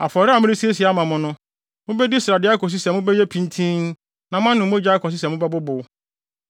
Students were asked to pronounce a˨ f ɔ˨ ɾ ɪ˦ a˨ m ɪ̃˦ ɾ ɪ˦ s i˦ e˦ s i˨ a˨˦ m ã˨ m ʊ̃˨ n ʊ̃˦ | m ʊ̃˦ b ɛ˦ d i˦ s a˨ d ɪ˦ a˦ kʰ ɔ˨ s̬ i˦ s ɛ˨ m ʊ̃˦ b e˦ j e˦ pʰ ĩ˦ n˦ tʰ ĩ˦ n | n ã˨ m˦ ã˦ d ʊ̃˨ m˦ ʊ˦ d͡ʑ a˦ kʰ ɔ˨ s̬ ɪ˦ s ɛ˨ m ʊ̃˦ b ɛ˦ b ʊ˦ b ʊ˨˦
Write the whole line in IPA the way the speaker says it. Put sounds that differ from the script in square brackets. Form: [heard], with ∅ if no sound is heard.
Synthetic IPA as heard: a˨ f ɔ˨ ɾ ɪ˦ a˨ m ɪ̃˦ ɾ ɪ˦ s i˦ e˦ s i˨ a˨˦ m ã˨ m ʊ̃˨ n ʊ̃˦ | m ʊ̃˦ b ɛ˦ d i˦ s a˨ d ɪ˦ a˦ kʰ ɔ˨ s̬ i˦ s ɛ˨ m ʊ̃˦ b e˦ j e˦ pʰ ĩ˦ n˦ tʰ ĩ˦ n | n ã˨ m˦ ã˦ [n] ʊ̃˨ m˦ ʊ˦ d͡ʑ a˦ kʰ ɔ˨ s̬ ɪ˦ s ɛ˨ m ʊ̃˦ b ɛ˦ b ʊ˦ b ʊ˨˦